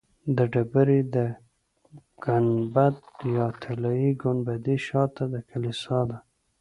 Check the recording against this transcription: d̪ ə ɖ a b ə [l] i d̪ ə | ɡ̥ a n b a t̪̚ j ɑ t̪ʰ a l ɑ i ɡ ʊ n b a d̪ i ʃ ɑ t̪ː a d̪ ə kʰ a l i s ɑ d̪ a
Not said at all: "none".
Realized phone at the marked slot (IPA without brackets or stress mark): ɾ